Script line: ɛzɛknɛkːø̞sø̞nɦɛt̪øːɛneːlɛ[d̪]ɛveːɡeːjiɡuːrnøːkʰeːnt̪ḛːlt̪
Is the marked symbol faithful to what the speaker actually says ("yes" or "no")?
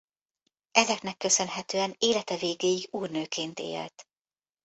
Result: no